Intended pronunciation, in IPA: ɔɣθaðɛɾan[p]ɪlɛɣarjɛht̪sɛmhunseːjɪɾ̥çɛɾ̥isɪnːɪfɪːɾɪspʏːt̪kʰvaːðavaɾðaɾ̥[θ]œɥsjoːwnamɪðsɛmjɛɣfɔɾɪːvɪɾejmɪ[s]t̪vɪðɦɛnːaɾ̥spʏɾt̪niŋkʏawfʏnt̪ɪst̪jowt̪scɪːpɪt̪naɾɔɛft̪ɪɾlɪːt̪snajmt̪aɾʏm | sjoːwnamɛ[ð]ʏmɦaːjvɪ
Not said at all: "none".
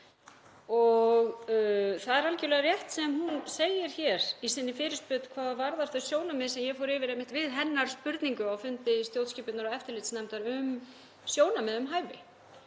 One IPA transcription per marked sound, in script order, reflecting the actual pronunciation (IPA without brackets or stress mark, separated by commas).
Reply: c, θ, h, ð